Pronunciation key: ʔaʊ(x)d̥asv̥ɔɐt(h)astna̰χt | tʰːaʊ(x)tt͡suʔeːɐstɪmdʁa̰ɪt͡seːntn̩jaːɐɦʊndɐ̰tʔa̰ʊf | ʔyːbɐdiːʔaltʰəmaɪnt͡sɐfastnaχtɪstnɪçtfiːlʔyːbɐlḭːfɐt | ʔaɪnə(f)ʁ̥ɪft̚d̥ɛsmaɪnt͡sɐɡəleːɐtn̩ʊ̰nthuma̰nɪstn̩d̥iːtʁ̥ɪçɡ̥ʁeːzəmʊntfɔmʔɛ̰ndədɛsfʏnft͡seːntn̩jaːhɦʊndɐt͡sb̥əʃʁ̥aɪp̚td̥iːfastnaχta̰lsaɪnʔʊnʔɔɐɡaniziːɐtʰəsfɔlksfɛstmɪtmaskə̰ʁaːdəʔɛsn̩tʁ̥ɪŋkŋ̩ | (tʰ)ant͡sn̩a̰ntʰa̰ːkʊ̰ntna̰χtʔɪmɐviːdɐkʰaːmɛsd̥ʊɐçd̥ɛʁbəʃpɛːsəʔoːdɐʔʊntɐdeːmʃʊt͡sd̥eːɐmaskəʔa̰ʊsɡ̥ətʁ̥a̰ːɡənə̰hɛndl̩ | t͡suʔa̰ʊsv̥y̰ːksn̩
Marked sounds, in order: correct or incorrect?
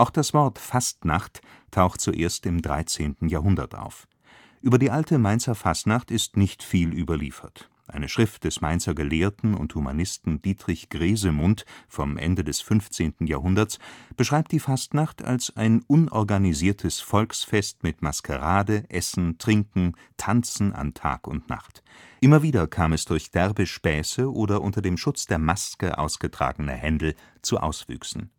correct, incorrect: f, correct, incorrect: ʃ, correct

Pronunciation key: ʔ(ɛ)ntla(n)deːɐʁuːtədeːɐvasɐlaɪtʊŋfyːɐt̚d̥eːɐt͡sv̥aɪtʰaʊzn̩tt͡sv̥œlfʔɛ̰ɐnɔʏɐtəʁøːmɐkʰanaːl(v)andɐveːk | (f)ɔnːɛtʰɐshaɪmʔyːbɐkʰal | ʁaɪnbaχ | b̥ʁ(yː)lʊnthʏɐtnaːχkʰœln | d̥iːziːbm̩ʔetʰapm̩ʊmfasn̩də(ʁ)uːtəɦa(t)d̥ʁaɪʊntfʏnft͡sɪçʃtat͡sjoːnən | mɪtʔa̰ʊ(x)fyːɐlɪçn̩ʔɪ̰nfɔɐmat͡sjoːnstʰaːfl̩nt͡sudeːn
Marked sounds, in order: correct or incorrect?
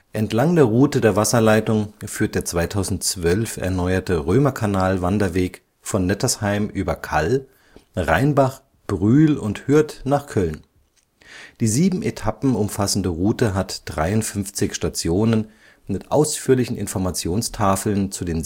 correct, incorrect: ŋ, correct, correct, correct, correct, correct, incorrect: s

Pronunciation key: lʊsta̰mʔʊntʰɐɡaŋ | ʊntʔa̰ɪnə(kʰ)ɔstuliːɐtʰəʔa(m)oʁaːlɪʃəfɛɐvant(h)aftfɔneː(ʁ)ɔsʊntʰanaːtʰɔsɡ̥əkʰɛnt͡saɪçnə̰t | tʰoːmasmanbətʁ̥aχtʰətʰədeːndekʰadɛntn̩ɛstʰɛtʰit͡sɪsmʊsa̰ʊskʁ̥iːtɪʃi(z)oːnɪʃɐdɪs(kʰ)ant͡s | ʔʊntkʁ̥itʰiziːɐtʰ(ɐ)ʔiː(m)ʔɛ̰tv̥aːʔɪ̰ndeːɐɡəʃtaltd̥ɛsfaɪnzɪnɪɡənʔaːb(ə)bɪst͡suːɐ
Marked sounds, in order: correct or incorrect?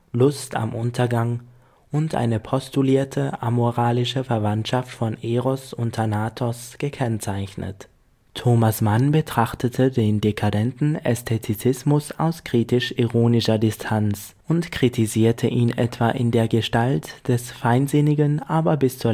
incorrect: pʰ, correct, incorrect: ʃ, correct, incorrect: ʁ, incorrect: tʰ, incorrect: ə, incorrect: n, incorrect: ɐ

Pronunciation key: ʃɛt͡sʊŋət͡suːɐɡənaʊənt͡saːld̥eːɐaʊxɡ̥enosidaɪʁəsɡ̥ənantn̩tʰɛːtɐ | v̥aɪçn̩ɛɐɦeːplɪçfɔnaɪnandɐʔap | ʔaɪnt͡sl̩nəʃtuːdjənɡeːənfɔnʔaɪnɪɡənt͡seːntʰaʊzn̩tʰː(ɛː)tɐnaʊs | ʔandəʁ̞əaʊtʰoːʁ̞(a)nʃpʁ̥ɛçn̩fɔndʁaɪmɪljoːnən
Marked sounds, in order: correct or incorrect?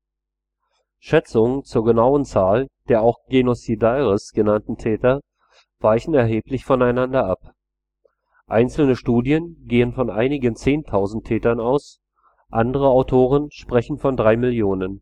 correct, incorrect: ə

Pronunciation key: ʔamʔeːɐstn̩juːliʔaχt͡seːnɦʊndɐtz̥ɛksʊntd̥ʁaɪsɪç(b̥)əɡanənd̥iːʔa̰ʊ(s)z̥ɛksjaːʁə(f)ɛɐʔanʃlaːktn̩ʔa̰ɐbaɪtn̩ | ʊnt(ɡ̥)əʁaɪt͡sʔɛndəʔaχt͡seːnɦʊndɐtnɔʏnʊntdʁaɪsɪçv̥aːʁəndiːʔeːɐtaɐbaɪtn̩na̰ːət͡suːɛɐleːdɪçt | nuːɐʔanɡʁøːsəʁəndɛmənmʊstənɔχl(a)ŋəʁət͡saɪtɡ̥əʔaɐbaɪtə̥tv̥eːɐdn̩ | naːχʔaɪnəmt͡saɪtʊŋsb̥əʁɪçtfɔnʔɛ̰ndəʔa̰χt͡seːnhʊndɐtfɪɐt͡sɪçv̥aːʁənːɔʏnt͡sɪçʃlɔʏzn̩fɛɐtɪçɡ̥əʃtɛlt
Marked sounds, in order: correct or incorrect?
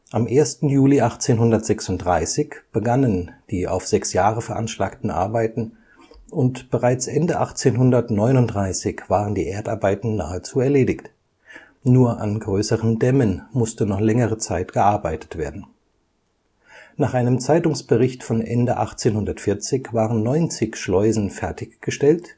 correct, incorrect: f, correct, incorrect: b̥, incorrect: ɛ

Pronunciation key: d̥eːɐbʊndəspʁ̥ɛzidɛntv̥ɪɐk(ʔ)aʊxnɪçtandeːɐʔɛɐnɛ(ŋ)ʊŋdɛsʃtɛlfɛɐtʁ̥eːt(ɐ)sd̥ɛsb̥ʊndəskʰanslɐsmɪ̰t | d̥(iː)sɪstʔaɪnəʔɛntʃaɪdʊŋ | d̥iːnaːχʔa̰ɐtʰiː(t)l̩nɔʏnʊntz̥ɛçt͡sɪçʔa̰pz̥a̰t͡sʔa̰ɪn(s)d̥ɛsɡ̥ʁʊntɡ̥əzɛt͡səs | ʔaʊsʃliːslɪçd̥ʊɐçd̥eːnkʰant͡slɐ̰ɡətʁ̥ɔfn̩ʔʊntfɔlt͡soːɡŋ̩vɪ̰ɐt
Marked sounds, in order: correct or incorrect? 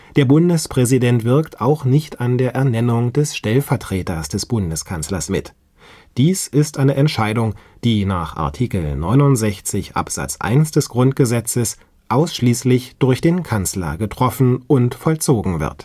incorrect: t, incorrect: n, correct, correct, incorrect: k, correct

